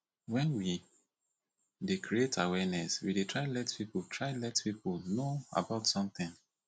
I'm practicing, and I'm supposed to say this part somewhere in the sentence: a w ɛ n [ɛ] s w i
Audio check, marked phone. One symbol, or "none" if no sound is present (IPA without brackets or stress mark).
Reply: ɛ